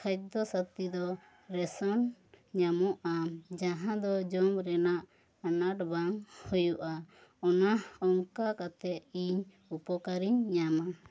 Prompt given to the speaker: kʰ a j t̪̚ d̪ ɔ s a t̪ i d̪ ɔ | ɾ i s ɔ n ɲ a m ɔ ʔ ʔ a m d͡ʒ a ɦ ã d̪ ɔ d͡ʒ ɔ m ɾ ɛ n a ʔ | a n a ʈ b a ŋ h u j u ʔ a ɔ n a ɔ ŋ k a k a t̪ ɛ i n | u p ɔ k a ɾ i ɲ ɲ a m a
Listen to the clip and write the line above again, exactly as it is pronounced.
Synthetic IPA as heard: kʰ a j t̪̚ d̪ ɔ s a t̪ i d̪ ɔ | ɾ ɛ s ɔ n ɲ a m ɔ ʔ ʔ a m d͡ʒ a ɦ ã d̪ ɔ d͡ʒ ɔ m ɾ ɛ n a ʔ | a n a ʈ b a ŋ h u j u ʔ a ɔ n a ɔ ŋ k a k a t̪ ɛ i ɲ | u p ɔ k a ɾ i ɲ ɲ a m a